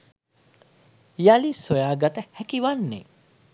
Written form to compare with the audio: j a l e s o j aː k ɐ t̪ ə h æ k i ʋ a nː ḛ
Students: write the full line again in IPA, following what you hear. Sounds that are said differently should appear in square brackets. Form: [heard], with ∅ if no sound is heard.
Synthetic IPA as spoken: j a l [i] s o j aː [ɡ] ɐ t̪ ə h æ k i ʋ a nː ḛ